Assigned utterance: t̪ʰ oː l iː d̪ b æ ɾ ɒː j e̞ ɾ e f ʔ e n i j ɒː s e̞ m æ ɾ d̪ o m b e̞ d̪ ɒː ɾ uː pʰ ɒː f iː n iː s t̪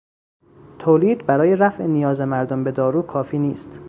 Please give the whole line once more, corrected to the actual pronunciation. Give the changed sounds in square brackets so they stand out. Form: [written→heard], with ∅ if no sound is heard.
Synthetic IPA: t̪ʰ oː l iː d̪ b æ ɾ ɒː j e̞ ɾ [e→æ] f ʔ e n i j ɒː [s→z] e̞ m æ ɾ d̪ o m b e̞ d̪ ɒː ɾ uː [pʰ→kʰ] ɒː f iː n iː s t̪